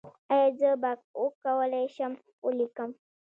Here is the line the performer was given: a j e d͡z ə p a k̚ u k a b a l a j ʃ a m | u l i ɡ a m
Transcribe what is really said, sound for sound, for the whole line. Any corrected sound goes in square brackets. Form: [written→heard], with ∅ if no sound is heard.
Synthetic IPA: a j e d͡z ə [p→b] a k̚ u k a [b→w] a l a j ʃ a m | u l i [ɡ→k] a m